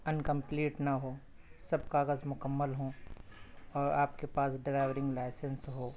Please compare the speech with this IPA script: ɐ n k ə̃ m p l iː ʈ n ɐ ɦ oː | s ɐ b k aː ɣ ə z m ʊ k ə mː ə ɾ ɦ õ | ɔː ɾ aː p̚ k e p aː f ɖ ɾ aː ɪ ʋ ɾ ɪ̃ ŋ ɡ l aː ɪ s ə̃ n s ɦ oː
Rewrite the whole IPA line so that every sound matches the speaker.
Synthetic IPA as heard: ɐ n k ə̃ m p l iː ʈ n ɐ ɦ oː | s ɐ b k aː ɣ ə z m ʊ k ə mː ə l ɦ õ | ɔː ɾ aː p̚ k e p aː s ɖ ɾ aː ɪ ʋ ɾ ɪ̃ ŋ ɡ l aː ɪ s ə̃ n s ɦ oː